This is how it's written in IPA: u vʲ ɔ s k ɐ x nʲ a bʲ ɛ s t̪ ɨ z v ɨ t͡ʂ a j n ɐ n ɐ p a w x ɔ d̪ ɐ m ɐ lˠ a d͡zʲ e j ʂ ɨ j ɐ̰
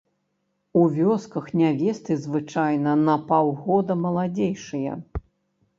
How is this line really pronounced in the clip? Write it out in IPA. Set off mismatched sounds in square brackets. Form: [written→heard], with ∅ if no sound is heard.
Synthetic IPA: u vʲ ɔ s k ɐ x nʲ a [bʲ→vʲ] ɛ s t̪ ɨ z v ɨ t͡ʂ a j n ɐ n ɐ p a w [x→ɣ] ɔ d̪ ɐ m ɐ lˠ a d͡zʲ e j ʂ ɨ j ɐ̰